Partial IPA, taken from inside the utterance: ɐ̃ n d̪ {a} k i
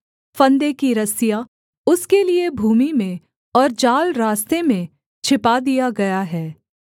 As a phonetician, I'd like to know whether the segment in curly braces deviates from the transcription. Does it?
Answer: yes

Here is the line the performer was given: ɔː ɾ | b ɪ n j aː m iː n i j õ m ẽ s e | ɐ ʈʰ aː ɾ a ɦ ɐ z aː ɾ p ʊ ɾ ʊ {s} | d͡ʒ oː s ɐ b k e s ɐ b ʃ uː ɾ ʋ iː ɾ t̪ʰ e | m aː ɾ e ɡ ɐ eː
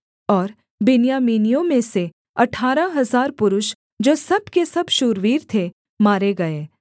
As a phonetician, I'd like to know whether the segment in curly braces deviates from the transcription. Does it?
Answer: yes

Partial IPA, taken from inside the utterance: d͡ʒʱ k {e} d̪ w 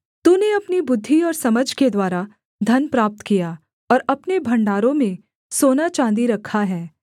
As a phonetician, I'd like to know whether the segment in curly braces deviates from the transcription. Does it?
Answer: no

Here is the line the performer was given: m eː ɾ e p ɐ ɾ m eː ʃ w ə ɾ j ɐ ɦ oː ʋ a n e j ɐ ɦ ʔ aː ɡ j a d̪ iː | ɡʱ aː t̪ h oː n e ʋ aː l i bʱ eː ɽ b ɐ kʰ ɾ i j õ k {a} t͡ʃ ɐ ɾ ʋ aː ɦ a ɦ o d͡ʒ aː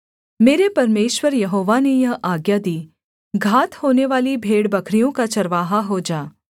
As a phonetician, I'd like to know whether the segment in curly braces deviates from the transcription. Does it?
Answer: no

